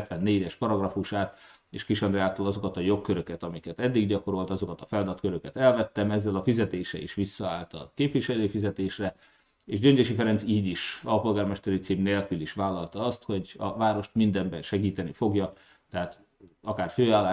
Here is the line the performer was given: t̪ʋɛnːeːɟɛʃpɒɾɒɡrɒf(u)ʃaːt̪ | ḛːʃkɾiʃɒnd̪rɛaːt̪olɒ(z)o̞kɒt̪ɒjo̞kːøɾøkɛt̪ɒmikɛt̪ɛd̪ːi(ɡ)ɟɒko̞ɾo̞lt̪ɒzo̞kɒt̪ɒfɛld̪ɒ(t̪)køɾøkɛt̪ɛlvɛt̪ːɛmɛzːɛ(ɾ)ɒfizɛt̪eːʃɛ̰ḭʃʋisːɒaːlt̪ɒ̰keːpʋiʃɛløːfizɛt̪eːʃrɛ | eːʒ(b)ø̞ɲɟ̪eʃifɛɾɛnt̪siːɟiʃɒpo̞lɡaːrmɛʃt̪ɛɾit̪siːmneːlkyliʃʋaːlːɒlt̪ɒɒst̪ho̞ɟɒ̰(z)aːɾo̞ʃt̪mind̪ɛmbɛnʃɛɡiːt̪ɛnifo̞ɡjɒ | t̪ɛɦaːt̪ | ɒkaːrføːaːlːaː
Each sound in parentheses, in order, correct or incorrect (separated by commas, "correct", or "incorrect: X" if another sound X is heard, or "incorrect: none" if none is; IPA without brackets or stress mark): correct, correct, correct, correct, incorrect: l, incorrect: ɟ, incorrect: v